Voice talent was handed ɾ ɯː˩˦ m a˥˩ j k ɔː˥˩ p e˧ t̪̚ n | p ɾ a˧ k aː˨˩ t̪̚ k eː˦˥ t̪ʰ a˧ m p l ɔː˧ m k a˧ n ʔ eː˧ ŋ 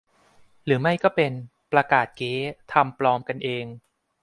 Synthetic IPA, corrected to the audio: ɾ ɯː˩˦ m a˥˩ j k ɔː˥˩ p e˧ n | p ɾ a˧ k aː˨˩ t̪̚ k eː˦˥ t̪ʰ a˧ m p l ɔː˧ m k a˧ n ʔ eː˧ ŋ